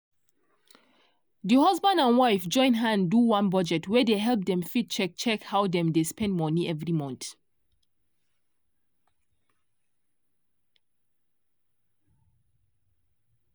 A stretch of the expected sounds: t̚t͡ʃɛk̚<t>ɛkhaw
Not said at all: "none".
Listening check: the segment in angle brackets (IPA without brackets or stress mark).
t͡ʃ